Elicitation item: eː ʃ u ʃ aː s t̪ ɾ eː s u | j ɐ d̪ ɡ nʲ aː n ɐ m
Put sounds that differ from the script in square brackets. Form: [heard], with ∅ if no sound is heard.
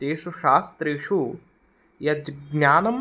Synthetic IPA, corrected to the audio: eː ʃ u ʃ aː s t̪ ɾ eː [ʂ] u | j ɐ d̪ ɡ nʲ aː n ɐ m